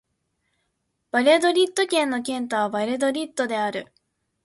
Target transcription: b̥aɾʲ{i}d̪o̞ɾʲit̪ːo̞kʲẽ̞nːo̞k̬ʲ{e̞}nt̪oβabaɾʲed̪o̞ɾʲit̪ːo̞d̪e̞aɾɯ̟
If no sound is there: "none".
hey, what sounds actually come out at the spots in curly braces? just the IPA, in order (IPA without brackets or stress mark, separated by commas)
e, ẽ̞